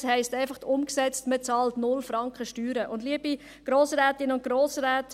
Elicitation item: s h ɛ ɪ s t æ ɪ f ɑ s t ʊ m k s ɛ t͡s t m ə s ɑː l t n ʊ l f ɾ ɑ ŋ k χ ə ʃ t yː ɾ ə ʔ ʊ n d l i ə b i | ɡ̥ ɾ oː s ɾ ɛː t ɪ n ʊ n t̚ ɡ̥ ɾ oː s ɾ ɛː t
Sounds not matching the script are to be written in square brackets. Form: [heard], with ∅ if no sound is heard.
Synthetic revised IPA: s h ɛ ɪ s t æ ɪ f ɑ [χ] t ʊ m k s ɛ t͡s t m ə [t͡s] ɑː l t n ʊ l f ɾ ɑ ŋ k χ ə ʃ t yː ɾ ə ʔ ʊ n d l i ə b i | ɡ̥ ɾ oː s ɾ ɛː t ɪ n ʊ n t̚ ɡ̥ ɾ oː s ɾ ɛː t